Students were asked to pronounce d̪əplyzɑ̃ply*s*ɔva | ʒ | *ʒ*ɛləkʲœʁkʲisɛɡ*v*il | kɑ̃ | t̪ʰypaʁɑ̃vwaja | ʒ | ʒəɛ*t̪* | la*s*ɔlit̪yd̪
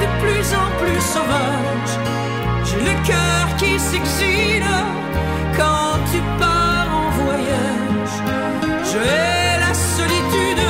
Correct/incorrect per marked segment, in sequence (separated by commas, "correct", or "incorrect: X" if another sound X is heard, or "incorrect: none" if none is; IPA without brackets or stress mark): correct, correct, incorrect: z, incorrect: none, correct